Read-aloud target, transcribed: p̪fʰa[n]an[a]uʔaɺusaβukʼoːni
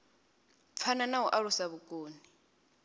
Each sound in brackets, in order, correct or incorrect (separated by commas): correct, correct